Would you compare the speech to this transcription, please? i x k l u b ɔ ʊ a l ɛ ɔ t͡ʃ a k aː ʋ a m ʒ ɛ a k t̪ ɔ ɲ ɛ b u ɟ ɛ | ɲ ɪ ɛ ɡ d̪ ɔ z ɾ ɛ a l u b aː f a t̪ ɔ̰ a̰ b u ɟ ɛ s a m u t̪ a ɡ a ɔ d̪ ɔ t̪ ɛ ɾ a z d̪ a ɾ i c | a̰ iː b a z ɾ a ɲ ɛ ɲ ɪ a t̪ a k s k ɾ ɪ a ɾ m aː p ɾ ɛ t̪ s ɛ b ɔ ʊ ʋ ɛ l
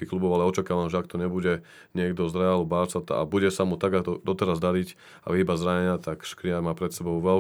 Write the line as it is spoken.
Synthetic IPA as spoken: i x k l u b ɔ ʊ a l ɛ ɔ t͡ʃ a k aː ʋ a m ʒ ɛ a k t̪ ɔ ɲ ɛ b u ɟ ɛ | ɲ ɪ ɛ ɡ d̪ ɔ z ɾ ɛ a l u b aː s a t̪ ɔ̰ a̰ b u ɟ ɛ s a m u t̪ a ɡ a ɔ d̪ ɔ t̪ ɛ ɾ a z d̪ a ɾ i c | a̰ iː b a z ɾ a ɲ ɛ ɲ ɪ a t̪ a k ʃ k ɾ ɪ a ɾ m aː p ɾ ɛ t̪ s ɛ b ɔ ʊ ʋ ɛ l